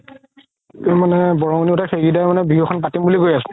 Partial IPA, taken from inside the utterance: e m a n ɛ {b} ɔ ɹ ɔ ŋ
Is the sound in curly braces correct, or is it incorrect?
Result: correct